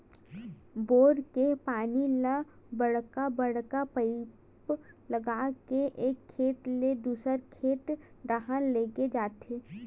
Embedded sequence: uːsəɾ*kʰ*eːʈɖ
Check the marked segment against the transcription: correct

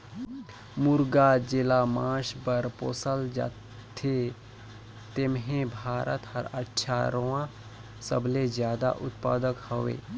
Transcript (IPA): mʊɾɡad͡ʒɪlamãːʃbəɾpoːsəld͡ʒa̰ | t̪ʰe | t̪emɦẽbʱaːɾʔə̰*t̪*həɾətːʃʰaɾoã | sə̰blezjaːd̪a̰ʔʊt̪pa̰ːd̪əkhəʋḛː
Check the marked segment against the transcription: correct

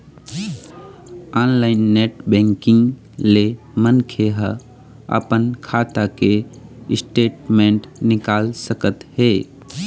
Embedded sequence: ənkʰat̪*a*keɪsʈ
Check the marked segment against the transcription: correct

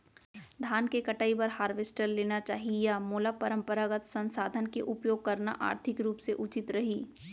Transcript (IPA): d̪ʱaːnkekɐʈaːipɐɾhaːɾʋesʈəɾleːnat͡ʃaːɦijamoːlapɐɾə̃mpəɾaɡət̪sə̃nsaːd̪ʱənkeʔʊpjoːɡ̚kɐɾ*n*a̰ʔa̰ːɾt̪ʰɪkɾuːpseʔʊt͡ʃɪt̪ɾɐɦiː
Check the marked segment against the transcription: correct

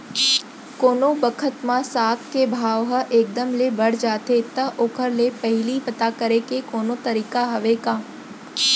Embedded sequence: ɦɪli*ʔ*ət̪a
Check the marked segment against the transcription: incorrect: p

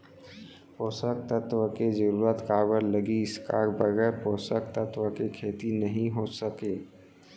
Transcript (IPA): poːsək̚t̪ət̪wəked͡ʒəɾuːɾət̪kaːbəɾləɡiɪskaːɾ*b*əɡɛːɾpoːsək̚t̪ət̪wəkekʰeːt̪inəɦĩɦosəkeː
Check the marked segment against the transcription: correct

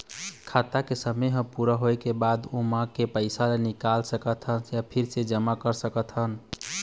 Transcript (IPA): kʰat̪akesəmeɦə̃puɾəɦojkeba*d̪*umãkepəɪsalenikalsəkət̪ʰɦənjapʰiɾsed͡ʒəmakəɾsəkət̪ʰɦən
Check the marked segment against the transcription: correct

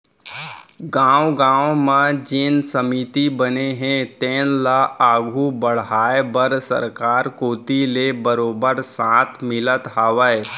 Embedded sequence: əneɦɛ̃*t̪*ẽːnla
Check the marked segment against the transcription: correct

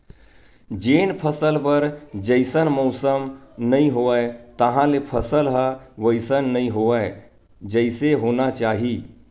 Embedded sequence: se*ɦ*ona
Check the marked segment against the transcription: correct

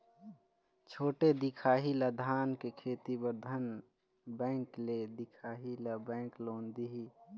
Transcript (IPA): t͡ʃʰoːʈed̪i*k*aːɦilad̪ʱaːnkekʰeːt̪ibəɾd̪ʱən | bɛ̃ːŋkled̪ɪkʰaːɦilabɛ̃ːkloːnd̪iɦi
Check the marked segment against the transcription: incorrect: kʰ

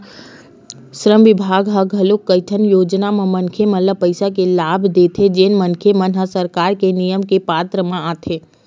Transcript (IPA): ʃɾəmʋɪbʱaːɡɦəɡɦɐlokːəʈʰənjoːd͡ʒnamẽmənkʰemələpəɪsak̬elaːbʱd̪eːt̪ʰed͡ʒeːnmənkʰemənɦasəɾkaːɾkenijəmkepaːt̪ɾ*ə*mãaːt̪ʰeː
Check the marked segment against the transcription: correct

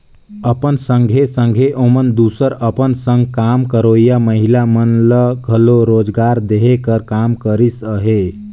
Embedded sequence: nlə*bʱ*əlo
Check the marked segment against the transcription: incorrect: ɡʱ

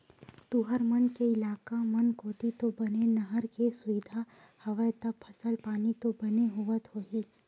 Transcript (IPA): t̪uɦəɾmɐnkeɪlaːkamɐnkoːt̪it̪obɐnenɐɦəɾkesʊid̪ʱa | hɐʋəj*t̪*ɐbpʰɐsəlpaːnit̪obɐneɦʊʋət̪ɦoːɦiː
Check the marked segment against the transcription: correct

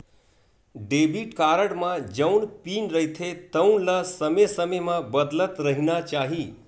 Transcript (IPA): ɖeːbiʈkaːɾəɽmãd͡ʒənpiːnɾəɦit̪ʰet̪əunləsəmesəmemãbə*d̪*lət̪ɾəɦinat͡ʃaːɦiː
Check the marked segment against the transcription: correct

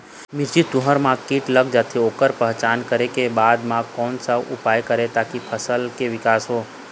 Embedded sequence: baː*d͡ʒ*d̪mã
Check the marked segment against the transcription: incorrect: none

